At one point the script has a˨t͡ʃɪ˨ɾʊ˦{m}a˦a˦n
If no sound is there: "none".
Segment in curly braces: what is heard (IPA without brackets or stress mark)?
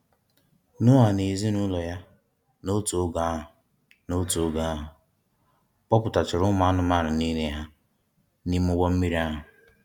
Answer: m